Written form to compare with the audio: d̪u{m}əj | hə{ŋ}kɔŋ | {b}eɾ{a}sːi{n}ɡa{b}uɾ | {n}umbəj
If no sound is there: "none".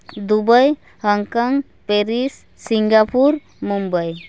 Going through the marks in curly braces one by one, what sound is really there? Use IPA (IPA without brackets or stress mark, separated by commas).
b, ŋ, p, i, ŋ, p, m